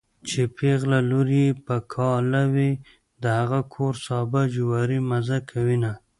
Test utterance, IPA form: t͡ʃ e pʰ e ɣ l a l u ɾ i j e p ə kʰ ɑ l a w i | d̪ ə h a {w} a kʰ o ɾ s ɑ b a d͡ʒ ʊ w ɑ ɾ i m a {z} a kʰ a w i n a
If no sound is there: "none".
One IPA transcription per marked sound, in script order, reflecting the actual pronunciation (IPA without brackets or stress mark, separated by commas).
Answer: ɣ, z